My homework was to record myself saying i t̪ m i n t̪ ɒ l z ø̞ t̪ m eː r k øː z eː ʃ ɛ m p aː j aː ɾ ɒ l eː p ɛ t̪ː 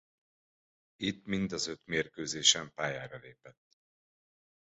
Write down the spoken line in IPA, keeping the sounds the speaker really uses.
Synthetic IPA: i t̪ m i n d̪ ɒ z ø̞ t̪ m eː r k øː z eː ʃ ɛ m p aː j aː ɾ ɒ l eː p ɛ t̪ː